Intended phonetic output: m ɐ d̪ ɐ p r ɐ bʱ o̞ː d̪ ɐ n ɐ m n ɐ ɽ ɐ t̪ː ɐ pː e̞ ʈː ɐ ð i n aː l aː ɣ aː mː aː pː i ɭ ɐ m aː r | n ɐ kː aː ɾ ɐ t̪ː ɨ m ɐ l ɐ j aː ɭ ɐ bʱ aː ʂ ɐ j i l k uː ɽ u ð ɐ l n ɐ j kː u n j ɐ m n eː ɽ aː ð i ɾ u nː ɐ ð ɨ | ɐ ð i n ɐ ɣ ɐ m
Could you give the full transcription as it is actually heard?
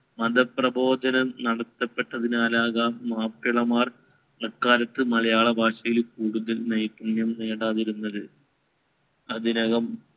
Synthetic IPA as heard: m ɐ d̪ ɐ p r ɐ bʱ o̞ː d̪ ɐ n ɐ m n ɐ ɽ ɐ t̪ː ɐ pː e̞ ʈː ɐ ð i n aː l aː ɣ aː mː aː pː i ɭ ɐ m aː r | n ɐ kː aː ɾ ɐ t̪ː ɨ m ɐ l ɐ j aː ɭ ɐ bʱ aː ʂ ɐ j i l k uː ɽ u ð ɐ l n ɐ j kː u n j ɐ m n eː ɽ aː ð i ɾ u nː ɐ ð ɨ | ɐ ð i n ɐ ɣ ɐ m